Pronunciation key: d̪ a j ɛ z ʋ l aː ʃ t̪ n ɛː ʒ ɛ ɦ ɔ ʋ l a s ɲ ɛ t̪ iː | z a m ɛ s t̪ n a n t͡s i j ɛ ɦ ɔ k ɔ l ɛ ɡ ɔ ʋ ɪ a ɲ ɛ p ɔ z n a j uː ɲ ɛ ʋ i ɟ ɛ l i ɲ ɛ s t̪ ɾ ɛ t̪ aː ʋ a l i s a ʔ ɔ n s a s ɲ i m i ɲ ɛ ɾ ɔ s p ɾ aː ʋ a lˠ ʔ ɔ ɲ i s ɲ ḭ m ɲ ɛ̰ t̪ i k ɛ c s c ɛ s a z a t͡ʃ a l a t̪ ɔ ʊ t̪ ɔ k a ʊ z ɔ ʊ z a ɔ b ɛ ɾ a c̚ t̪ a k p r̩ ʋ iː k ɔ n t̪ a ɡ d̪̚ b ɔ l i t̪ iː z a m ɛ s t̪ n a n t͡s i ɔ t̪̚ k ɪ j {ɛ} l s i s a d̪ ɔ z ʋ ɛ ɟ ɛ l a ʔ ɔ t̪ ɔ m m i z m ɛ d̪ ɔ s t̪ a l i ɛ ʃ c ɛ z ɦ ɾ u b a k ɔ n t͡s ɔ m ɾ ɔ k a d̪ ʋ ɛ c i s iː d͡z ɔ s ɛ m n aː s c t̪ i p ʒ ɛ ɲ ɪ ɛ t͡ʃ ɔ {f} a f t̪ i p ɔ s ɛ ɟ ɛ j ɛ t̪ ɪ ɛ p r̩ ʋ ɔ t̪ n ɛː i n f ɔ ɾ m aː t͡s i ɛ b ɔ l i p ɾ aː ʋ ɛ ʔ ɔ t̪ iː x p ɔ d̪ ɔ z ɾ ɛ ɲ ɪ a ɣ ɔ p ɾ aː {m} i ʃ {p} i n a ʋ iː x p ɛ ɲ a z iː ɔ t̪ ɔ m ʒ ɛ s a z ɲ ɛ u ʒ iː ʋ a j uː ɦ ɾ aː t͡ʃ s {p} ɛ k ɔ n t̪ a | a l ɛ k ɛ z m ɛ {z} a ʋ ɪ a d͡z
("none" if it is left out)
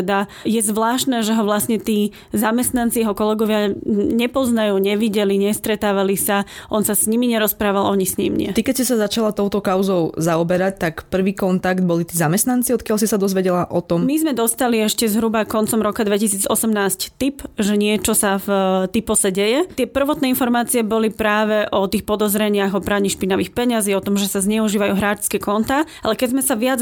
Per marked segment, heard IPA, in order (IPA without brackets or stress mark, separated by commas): a, s, ɲ, p, k, s